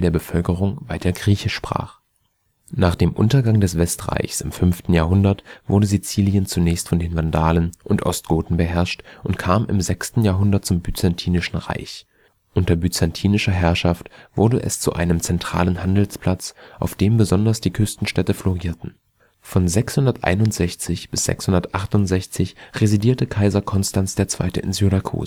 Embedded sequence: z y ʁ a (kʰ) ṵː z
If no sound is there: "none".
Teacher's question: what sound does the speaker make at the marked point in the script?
kʰ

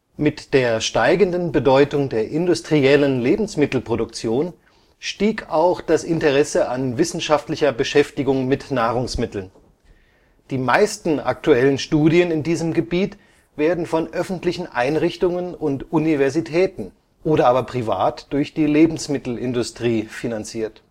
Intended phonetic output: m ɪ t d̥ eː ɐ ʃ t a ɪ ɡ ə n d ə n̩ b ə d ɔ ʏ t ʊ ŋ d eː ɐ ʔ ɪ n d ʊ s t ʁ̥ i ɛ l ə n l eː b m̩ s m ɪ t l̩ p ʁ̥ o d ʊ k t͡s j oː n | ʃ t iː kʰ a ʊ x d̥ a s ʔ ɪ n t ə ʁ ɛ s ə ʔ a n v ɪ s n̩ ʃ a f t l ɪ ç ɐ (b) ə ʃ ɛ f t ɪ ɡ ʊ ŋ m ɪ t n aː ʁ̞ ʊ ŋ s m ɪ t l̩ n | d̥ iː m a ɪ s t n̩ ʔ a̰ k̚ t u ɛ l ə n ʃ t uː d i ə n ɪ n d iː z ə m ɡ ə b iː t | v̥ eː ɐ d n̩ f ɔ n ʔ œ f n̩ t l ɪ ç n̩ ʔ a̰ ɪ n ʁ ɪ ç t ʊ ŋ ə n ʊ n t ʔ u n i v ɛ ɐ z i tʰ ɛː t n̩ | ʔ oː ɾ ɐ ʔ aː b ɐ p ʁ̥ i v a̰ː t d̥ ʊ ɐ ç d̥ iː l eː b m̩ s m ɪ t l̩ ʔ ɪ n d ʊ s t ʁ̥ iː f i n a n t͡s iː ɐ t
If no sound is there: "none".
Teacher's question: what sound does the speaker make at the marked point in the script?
b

